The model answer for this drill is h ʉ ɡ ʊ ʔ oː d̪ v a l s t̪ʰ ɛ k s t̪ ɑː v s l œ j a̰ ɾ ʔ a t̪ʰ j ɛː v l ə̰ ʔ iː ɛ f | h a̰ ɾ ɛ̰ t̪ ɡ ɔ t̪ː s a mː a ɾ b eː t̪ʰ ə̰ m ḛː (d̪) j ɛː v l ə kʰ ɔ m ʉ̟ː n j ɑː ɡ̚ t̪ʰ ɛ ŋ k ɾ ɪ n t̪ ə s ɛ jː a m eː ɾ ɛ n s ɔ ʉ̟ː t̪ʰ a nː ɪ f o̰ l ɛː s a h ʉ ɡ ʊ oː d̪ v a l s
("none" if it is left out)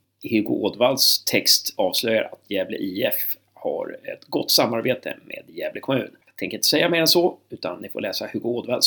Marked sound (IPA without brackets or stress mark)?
d̪